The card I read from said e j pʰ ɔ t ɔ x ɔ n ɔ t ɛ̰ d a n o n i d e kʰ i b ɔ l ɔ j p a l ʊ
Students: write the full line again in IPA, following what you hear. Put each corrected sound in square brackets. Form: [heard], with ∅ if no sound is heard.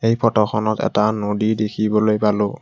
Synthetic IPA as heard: e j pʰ ɔ t ɔ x ɔ n ɔ t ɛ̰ [t] a n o [d] i d e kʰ i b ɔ l [o] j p a l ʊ